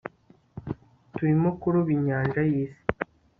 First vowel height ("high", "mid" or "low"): high